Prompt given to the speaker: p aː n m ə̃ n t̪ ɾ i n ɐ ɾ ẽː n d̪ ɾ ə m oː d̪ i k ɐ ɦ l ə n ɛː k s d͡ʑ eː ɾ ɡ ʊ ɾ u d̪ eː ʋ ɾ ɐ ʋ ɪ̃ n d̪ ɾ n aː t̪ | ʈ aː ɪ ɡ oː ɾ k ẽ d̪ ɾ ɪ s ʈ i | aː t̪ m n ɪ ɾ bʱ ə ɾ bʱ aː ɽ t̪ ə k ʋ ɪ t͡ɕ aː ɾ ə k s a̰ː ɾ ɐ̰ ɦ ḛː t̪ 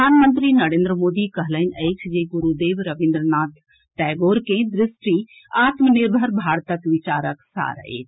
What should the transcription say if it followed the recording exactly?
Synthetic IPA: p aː n m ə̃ n t̪ ɾ i n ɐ ɾ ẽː n d̪ ɾ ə m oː d̪ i k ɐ ɦ l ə n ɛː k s d͡ʑ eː ɡ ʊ ɾ u d̪ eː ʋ ɾ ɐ ʋ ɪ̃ n d̪ ɾ n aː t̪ | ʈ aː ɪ ɡ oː ɾ k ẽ d̪ ɾ ɪ s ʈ i | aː t̪ m n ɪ ɾ bʱ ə ɾ bʱ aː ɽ t̪ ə k ʋ ɪ t͡ɕ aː ɾ ə k s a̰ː ɾ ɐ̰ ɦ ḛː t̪

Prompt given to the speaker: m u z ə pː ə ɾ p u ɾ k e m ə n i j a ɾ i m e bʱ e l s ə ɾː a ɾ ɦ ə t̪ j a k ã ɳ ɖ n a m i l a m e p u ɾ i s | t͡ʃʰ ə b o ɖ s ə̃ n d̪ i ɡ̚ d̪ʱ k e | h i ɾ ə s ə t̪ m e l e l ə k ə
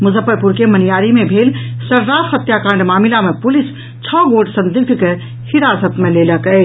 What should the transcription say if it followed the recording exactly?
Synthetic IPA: m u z ə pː ə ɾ p u ɾ k e m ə n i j a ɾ i m e bʱ e l s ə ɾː a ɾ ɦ ə t̪ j a k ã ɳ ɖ m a m i l a m e p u l i s | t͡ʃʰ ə ɡ o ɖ s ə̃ n d̪ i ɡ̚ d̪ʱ k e | h i ɾ a s ə t̪ m e l e l ə k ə

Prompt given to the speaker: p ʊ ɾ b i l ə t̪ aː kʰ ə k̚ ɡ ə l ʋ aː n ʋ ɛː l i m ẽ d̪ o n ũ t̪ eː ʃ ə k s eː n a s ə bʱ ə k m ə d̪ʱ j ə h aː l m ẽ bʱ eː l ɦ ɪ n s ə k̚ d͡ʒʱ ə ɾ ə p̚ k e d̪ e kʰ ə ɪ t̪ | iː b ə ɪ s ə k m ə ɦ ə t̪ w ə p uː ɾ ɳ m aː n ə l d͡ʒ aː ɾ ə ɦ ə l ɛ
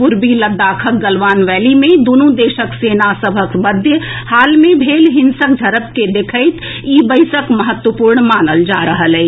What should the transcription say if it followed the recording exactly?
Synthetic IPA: p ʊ ɾ b i l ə d̪ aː kʰ ə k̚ ɡ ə l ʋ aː n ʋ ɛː l i m ẽ d̪ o n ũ d̪ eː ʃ ə k s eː n a s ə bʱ ə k m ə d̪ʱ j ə h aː l m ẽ bʱ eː l ɦ ɪ n s ə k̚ d͡ʒʱ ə ɾ ə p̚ k e d̪ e kʰ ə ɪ t̪ | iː b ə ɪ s ə k m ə ɦ ə t̪ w ə p uː ɾ ɳ m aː n ə l d͡ʒ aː ɾ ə ɦ ə l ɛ

